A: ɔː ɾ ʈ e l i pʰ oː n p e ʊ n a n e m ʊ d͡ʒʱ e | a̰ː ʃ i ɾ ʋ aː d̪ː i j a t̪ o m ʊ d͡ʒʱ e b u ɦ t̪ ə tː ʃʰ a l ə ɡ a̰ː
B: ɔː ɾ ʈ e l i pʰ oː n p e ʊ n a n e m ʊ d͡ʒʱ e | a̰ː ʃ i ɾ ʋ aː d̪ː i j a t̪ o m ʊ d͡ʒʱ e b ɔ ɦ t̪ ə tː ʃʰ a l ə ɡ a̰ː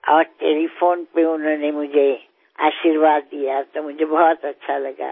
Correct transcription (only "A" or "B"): B